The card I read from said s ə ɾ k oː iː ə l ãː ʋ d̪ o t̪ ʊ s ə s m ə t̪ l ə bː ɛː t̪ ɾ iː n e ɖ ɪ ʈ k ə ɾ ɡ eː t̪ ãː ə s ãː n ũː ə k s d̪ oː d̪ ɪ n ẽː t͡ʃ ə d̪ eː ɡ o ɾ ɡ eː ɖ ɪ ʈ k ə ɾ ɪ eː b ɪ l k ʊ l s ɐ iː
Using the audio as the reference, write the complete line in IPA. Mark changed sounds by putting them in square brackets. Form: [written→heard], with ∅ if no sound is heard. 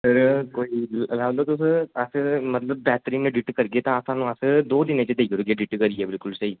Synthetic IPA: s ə ɾ k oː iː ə l [ãː→aː] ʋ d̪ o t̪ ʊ s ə s m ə t̪ l ə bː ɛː t̪ ɾ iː n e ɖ ɪ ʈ k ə ɾ ɡ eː t̪ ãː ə s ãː n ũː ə [k→∅] s d̪ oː d̪ ɪ n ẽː t͡ʃ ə d̪ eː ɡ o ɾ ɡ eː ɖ ɪ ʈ k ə ɾ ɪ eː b ɪ l k ʊ l s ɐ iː